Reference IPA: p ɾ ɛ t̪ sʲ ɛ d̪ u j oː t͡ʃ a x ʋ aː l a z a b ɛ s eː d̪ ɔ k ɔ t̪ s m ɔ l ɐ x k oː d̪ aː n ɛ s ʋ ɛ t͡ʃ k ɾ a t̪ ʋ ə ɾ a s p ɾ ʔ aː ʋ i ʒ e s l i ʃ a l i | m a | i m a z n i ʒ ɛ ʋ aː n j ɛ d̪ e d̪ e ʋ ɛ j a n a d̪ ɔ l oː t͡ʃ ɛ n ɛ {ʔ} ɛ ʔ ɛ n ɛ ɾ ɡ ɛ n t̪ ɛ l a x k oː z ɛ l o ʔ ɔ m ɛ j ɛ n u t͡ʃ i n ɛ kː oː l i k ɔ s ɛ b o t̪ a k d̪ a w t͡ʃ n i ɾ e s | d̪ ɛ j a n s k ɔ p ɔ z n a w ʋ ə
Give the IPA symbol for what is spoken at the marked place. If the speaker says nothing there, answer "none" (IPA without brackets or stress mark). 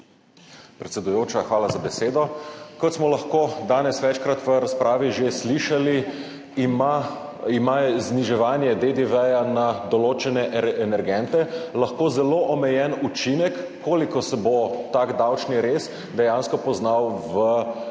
ʔ